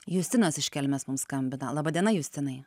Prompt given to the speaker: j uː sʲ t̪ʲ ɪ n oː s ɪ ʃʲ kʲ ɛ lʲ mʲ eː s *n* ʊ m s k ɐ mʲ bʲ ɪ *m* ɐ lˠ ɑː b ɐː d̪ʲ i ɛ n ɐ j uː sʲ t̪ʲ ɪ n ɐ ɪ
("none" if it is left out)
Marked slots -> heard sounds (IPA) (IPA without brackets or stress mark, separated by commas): m, n